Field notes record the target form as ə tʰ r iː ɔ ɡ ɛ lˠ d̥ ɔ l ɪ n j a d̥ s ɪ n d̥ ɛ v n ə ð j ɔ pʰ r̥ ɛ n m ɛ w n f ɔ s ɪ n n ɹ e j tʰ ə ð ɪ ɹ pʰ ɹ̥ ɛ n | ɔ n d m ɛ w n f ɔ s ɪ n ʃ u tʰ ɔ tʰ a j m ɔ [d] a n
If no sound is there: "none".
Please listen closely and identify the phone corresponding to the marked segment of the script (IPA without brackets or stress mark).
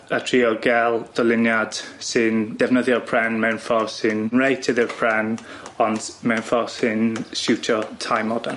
d